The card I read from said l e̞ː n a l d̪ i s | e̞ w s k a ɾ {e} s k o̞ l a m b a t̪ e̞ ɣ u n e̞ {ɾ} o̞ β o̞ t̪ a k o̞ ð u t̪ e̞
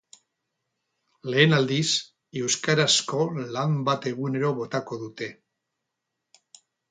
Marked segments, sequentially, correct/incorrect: incorrect: a, correct

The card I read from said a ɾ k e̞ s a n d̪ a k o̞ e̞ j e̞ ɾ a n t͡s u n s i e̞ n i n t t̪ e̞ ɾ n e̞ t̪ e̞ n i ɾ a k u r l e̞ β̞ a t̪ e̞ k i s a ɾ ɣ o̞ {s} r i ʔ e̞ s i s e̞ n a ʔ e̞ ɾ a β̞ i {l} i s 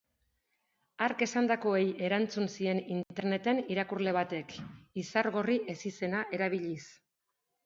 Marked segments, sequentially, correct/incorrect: incorrect: none, incorrect: ʎ

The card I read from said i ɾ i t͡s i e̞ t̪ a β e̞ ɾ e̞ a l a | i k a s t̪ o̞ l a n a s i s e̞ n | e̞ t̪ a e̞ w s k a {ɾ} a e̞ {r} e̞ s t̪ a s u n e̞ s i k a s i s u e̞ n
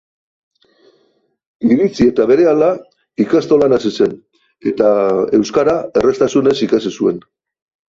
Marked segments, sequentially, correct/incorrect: correct, correct

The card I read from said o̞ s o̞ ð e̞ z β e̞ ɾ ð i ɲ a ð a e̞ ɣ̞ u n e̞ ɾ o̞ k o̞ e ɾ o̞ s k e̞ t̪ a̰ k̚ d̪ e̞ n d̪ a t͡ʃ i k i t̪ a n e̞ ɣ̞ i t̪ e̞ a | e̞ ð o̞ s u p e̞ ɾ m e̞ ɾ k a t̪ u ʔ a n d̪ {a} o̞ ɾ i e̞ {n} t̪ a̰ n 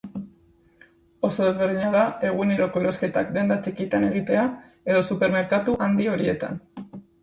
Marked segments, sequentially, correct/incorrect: incorrect: i, incorrect: none

